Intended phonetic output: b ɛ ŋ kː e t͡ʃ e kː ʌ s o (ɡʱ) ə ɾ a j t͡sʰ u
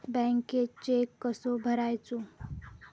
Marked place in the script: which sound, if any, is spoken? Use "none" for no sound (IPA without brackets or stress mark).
bʱ